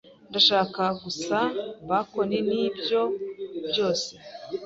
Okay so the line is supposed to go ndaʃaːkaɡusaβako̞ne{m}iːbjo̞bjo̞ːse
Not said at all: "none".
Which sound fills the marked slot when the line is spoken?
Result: n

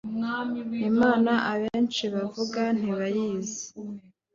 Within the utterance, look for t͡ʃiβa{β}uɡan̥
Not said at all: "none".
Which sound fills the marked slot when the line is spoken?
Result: v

